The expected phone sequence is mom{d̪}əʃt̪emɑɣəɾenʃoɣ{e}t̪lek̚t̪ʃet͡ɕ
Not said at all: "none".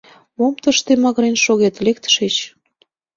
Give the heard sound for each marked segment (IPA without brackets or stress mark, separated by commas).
t̪, e